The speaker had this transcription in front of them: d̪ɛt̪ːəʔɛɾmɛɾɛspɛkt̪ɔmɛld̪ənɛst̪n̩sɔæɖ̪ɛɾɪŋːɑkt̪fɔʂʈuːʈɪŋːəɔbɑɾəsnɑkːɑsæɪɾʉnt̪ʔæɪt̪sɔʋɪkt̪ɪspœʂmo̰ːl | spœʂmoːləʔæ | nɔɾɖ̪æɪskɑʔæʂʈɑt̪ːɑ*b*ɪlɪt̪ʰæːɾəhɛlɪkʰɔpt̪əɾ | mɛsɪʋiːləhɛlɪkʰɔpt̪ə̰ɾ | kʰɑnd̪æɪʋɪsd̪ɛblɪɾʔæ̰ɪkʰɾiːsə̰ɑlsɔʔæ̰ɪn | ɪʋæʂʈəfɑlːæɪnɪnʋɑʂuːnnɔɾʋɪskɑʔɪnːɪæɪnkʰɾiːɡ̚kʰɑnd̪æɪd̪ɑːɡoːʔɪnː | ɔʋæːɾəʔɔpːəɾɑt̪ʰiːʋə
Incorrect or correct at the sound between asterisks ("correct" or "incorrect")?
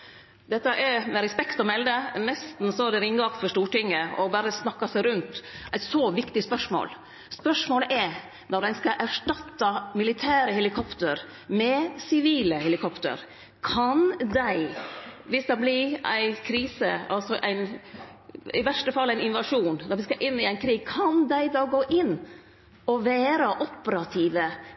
incorrect